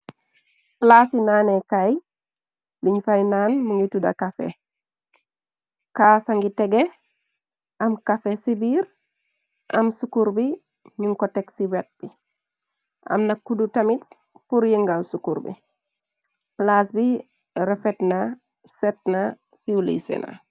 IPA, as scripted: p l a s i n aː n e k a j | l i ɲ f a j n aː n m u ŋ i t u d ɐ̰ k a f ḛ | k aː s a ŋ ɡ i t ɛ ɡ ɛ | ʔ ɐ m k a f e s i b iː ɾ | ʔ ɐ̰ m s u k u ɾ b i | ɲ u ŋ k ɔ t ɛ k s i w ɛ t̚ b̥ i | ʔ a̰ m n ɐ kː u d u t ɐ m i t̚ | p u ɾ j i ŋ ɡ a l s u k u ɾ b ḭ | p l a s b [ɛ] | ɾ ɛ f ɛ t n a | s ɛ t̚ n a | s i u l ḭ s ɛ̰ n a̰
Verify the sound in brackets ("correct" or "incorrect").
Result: incorrect